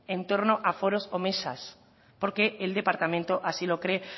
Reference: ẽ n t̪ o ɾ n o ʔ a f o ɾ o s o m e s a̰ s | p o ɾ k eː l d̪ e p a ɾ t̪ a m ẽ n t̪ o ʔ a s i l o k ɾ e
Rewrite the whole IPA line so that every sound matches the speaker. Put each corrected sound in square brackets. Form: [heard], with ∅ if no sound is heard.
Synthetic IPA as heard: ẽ n t̪ o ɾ n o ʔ a f o ɾ o s o m e s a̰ s | p o ɾ k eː l d̪ e p a ɾ t̪ a m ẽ n t̪ o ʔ a s i l o k ɾ e